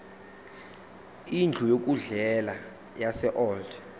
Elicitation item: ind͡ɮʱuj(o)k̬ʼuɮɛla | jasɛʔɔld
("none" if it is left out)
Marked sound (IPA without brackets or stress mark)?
o